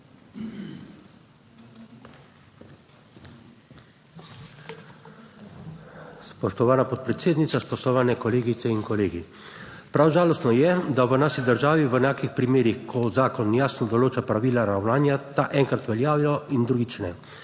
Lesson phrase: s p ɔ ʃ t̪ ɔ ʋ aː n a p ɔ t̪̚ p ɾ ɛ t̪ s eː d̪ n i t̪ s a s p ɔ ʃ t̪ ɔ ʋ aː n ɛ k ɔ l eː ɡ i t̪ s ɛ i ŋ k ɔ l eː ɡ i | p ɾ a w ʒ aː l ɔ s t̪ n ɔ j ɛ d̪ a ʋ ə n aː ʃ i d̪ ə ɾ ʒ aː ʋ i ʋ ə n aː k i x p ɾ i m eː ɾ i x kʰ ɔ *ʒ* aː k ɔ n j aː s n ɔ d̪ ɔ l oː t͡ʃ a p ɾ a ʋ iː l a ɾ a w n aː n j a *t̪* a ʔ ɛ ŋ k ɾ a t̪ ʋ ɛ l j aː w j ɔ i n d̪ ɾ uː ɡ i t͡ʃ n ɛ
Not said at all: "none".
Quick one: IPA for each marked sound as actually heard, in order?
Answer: z, t̪

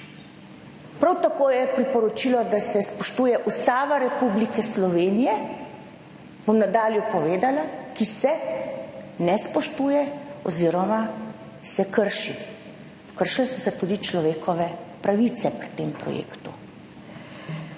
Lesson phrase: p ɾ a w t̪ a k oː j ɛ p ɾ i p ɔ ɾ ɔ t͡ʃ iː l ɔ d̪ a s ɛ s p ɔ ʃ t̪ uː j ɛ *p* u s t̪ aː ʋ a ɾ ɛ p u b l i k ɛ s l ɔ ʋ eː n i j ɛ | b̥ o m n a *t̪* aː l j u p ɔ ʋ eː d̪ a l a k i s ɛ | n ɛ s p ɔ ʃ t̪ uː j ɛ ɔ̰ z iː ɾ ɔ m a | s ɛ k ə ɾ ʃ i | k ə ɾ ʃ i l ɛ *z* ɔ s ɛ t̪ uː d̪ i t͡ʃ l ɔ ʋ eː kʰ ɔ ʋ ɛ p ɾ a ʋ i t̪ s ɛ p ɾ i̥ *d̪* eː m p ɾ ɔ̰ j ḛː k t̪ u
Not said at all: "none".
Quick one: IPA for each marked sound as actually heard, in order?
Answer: ʔ, d̪, s, t̪

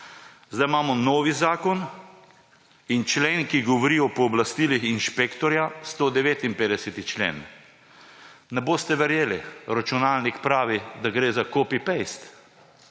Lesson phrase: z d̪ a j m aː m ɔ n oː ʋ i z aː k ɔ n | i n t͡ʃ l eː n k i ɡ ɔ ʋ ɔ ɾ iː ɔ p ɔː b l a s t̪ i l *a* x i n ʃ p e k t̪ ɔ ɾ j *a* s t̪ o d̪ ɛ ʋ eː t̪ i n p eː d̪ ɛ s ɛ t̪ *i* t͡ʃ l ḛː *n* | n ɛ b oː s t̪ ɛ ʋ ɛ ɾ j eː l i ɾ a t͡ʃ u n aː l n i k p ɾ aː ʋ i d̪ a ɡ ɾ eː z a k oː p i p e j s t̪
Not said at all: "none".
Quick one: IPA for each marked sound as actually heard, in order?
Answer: i, a, i, n

